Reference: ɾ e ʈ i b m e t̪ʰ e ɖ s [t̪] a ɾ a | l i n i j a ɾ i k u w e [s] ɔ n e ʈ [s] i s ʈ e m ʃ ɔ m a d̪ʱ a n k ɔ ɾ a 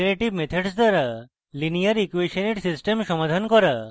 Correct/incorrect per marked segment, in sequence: incorrect, incorrect, correct

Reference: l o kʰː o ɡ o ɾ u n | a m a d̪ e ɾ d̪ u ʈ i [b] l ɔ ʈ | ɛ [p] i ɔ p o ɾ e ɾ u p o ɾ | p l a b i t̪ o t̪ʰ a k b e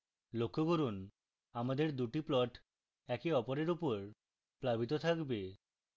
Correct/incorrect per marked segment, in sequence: incorrect, incorrect

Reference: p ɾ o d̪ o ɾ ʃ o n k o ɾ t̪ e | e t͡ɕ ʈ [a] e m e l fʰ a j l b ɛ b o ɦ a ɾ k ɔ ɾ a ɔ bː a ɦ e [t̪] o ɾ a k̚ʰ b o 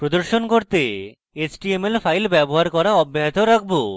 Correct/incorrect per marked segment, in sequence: incorrect, correct

